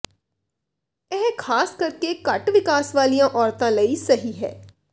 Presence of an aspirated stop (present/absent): present